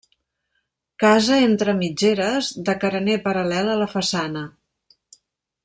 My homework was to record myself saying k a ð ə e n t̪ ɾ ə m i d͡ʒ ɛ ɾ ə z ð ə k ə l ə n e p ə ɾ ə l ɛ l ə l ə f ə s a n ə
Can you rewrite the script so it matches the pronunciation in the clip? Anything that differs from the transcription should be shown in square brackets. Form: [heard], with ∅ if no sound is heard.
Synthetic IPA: k a [z] ə e n t̪ ɾ ə m i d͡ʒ [e] ɾ ə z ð ə k ə [ɾ] ə n e p ə ɾ ə l ɛ l ə l ə f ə s a n ə